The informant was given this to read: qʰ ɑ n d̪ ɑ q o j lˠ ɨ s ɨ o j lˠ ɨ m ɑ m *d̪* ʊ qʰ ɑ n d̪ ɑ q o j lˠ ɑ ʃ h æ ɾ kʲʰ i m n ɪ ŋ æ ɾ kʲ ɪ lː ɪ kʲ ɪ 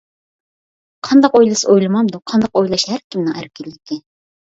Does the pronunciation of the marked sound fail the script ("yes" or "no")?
no